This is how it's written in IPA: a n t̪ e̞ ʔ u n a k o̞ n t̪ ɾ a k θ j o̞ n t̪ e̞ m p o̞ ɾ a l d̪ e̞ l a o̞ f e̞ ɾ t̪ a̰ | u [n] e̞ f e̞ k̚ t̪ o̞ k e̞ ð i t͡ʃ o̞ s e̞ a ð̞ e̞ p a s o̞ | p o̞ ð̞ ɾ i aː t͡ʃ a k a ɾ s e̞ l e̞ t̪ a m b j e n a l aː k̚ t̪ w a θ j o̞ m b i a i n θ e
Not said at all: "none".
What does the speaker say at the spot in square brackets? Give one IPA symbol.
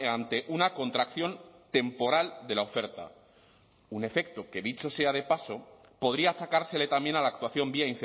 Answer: n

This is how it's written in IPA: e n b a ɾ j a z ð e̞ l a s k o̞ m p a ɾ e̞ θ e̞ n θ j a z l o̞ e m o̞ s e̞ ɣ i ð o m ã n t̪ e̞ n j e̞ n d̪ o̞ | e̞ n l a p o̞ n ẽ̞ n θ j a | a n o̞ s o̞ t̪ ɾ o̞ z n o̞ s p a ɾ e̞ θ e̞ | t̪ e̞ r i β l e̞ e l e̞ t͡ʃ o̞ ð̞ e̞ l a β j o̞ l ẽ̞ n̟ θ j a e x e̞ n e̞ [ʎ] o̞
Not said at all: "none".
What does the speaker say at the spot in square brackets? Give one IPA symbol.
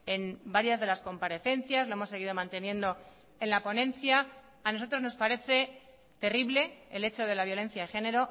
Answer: ɾ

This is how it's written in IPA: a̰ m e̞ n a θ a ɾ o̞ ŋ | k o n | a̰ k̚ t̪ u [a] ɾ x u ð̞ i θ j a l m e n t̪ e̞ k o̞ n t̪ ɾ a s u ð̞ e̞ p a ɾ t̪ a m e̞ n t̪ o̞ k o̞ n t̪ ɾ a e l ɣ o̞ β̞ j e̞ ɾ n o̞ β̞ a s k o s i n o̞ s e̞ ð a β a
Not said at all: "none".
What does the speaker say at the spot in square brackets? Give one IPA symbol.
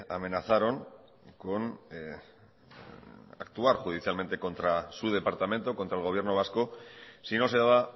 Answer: a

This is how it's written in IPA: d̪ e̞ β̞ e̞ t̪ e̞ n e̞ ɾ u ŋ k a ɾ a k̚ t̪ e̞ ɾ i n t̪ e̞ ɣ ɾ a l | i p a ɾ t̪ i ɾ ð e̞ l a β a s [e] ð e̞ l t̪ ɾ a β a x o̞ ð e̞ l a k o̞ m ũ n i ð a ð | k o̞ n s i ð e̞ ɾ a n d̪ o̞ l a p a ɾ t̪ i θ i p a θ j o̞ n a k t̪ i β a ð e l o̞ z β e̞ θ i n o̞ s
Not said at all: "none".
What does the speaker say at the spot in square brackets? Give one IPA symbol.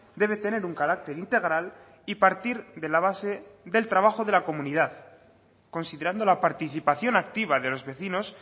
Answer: e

